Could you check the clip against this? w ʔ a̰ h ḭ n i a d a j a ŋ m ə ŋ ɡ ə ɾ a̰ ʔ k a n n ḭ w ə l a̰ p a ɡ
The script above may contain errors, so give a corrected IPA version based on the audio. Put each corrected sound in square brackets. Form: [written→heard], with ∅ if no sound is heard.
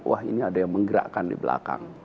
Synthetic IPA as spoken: w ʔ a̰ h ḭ n i a d a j a ŋ m ə ŋ ɡ ə ɾ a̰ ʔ k a n [n→d] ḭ [w→b] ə l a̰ [p→k] a [ɡ→ŋ]